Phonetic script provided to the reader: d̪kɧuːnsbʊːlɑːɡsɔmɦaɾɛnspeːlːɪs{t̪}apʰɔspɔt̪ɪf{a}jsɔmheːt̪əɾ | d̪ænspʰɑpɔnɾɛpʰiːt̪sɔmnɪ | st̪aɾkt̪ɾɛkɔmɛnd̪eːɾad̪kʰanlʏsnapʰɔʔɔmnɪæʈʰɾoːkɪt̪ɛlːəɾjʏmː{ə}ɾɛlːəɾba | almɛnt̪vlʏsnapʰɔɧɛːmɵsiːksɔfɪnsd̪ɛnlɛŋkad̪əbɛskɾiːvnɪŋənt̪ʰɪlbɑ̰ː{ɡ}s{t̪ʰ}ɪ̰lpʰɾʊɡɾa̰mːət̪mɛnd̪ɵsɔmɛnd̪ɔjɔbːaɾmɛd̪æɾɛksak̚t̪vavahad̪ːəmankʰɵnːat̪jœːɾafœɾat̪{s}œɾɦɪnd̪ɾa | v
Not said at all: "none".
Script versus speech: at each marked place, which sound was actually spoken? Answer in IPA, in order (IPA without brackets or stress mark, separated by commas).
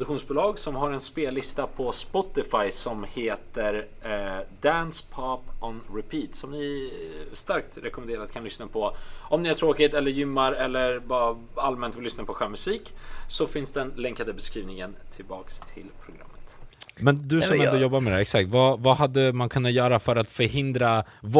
t̪, a, a, k, t̪ʰ, f